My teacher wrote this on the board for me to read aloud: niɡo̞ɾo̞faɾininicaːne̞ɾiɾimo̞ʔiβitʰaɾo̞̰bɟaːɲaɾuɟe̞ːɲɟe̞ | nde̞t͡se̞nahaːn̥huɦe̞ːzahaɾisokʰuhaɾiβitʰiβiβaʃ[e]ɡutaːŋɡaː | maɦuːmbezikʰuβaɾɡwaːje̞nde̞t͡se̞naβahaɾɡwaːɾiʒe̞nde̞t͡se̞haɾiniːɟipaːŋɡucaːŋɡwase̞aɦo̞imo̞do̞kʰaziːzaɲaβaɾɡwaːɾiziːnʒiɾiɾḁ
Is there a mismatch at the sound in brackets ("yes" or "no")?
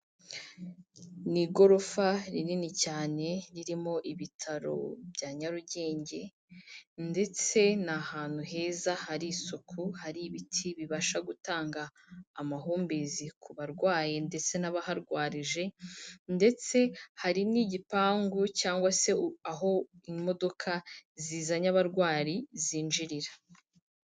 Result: yes